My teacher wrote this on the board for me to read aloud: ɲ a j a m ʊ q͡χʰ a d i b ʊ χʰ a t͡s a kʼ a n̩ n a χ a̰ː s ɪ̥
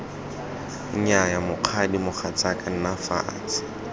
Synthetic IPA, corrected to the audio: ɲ a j a m ʊ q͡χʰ a d i m ʊ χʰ a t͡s a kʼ a n̩ n a f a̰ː t͡s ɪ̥